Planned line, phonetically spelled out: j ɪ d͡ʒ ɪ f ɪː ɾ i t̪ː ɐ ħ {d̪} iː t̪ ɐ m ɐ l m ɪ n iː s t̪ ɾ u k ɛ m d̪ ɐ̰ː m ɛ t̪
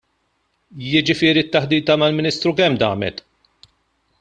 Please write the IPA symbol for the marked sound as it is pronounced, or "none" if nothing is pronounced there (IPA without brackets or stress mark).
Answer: d̪